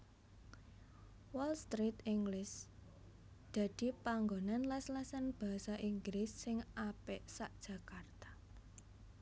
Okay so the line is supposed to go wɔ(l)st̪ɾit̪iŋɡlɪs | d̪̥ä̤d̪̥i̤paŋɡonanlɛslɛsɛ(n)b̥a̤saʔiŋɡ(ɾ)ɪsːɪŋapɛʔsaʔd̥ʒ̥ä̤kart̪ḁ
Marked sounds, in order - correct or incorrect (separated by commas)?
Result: correct, correct, incorrect